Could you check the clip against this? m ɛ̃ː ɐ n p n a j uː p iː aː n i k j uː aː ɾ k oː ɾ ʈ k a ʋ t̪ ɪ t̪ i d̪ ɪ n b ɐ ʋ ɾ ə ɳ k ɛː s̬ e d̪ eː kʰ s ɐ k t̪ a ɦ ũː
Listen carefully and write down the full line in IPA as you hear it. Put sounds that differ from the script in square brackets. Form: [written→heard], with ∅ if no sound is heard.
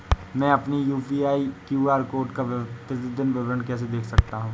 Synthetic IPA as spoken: m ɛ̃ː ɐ [n→∅] p n [a→i] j uː p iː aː [n→∅] i k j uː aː ɾ k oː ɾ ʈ k a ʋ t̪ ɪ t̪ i d̪ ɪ n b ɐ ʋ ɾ ə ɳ k ɛː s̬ e d̪ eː kʰ s ɐ k t̪ a ɦ ũː